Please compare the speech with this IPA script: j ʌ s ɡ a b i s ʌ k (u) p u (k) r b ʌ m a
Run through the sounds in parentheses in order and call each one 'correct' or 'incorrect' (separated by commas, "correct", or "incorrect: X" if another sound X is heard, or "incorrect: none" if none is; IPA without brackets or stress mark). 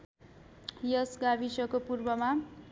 incorrect: o, incorrect: none